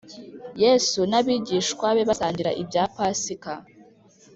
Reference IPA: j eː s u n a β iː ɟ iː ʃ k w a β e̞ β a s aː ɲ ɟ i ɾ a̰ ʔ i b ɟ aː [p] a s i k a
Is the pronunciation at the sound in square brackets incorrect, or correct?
correct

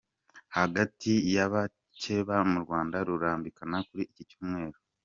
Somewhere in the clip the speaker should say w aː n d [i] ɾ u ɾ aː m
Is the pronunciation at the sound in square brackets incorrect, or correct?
incorrect: a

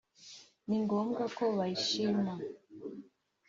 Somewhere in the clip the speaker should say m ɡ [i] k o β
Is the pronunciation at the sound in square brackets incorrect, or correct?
incorrect: a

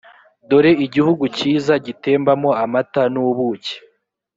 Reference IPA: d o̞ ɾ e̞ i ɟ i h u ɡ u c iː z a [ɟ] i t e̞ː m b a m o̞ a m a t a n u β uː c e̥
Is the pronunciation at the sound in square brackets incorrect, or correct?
correct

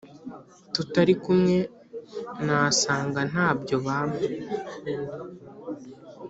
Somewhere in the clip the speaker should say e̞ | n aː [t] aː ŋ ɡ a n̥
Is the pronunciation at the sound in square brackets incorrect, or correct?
incorrect: s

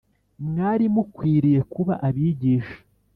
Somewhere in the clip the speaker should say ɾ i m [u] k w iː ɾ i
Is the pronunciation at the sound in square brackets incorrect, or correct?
correct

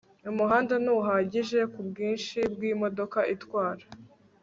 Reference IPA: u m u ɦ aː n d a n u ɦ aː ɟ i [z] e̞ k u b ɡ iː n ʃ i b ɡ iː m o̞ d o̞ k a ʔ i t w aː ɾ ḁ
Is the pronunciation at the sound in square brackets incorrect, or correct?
incorrect: ʒ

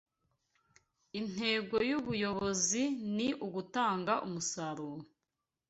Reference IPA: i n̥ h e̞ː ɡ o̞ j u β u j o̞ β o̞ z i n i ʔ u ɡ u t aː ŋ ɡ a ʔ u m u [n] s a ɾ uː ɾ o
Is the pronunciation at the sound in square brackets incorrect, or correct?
incorrect: none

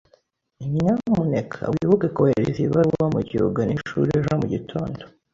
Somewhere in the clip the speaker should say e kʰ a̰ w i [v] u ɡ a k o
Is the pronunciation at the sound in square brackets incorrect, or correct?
incorrect: β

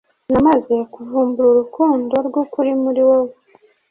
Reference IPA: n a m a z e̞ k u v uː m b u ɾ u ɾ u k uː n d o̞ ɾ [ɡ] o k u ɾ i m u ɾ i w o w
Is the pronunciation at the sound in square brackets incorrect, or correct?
correct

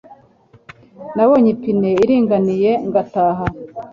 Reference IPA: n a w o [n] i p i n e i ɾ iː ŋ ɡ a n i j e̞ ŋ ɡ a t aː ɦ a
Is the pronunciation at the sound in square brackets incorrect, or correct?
incorrect: ɲ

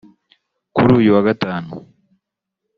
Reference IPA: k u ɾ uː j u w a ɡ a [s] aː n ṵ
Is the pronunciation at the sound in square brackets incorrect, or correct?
incorrect: t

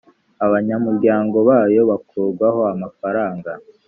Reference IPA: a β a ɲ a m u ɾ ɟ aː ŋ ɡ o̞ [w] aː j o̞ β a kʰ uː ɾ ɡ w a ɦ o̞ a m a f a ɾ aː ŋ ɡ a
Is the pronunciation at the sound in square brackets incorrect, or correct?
incorrect: β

